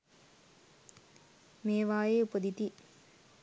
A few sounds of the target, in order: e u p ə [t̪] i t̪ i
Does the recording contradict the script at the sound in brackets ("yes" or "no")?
yes